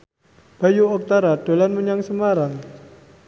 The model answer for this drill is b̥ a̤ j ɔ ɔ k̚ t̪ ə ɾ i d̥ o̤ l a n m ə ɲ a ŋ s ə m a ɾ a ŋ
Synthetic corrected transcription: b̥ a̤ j u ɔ k̚ t̪ a ɾ a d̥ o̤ l a n m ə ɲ a ŋ s ə m a ɾ a ŋ